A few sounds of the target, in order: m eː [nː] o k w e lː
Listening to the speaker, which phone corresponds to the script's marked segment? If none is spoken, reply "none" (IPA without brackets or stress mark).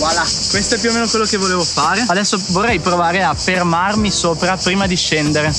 n